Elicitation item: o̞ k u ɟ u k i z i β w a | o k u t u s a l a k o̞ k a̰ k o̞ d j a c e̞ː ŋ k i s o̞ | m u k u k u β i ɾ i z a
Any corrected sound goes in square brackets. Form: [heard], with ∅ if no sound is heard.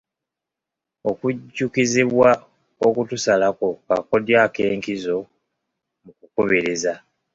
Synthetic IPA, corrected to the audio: o̞ k u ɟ u k i z i β w a | o k u t u s a l a k o̞ k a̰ k o̞ d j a [k] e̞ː ŋ k i [z] o̞ | m u k u k u β i ɾ i z a